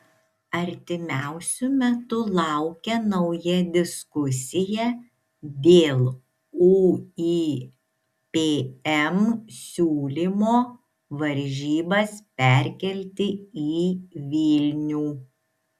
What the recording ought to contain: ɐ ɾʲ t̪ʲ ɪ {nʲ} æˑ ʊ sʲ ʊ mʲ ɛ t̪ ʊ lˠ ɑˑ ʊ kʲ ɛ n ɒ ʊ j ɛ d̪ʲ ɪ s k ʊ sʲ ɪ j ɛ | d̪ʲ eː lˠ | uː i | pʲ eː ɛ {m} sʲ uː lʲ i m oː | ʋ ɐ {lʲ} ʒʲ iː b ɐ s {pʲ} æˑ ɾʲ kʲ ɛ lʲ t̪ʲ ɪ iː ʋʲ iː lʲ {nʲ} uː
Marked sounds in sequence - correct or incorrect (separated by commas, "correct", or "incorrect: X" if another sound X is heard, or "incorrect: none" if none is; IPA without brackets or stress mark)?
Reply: incorrect: mʲ, correct, incorrect: ɾʲ, correct, correct